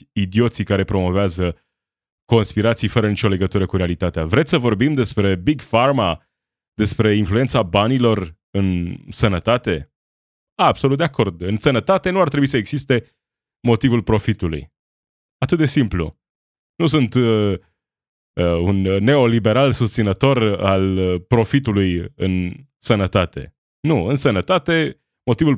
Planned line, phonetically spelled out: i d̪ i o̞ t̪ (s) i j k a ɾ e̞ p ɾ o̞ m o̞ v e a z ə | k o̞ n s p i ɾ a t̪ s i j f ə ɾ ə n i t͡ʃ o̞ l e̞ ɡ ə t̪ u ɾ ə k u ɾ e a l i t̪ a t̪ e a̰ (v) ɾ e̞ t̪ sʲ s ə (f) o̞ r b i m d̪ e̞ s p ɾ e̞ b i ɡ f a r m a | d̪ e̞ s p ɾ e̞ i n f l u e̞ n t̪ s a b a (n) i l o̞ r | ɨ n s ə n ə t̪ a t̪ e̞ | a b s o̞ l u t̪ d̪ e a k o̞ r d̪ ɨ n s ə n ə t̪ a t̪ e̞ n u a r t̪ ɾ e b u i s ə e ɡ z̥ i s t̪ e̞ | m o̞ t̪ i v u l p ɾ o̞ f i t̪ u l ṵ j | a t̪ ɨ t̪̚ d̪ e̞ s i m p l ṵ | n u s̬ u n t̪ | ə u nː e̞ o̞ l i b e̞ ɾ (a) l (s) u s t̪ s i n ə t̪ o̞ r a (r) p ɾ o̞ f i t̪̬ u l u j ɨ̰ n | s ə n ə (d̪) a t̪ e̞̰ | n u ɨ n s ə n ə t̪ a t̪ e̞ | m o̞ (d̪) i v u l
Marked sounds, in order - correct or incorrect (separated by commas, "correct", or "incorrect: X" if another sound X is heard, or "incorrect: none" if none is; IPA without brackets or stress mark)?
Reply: correct, correct, incorrect: v, correct, correct, correct, incorrect: l, incorrect: t̪, incorrect: t̪